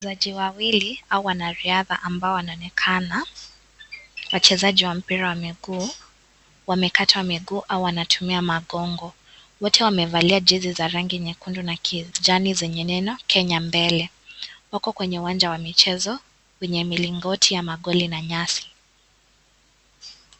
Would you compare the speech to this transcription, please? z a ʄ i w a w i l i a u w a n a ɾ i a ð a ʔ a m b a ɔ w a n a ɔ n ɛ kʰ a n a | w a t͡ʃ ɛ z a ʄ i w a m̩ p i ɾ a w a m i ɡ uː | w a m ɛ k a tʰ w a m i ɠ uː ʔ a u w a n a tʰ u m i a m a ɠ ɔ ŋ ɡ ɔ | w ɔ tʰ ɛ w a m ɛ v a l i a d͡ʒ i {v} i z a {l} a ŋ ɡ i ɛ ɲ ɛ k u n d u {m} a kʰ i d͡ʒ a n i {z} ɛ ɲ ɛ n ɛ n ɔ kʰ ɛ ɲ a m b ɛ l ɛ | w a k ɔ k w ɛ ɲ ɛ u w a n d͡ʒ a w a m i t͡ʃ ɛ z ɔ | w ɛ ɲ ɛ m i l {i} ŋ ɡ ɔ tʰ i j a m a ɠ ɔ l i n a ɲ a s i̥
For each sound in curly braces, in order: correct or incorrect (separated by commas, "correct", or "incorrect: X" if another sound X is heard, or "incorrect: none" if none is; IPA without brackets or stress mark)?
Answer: incorrect: z, incorrect: ɾ, incorrect: n, correct, correct